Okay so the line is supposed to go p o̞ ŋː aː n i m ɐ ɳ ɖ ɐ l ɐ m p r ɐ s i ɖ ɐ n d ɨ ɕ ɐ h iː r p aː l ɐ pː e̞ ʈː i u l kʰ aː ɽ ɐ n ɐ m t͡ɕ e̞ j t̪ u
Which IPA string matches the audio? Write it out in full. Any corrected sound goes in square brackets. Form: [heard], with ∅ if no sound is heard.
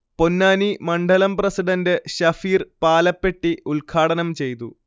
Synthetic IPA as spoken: p o̞ [nː] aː n i m ɐ ɳ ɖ ɐ l ɐ m p r ɐ s i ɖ ɐ n d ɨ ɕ ɐ [f] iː r p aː l ɐ pː e̞ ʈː i u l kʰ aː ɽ ɐ n ɐ m t͡ɕ e̞ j t̪ u

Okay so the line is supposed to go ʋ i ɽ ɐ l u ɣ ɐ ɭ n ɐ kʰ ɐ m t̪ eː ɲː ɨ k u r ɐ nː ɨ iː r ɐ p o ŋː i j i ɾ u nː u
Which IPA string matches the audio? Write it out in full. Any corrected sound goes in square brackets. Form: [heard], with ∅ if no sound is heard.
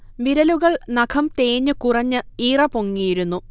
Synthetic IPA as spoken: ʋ i [ɾ] ɐ l u ɣ ɐ ɭ n ɐ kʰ ɐ m t̪ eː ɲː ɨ k u r ɐ [ɲː] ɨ iː r ɐ p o ŋː i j i ɾ u nː u

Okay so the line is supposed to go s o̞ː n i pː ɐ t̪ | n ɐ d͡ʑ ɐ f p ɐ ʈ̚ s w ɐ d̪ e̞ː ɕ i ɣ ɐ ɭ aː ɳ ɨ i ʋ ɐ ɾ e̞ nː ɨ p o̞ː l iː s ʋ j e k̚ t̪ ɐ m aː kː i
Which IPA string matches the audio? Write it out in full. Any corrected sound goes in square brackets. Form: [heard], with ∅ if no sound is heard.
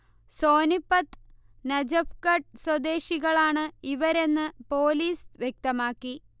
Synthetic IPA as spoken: s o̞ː n i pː ɐ t̪ | n ɐ d͡ʑ ɐ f [k] ɐ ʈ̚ s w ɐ d̪ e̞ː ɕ i ɣ ɐ ɭ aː ɳ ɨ i ʋ ɐ ɾ e̞ nː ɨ p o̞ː l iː s ʋ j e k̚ t̪ ɐ m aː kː i

